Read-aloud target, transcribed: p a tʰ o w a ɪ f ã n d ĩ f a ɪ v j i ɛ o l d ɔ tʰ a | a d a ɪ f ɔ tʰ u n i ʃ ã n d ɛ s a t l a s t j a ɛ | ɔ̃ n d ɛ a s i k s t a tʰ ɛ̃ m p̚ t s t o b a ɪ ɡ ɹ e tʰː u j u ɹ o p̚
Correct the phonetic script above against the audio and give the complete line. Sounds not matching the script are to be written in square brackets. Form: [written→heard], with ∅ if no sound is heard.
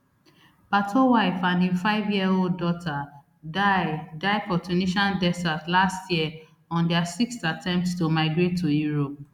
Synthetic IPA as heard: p a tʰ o w a ɪ f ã n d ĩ f a ɪ v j i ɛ o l d ɔ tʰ a | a d a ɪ f ɔ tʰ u n i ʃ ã n d ɛ s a t l a s t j [a→i] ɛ | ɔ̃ n d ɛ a s i k s t a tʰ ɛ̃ m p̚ t s t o [b→m] a ɪ ɡ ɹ e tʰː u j u ɹ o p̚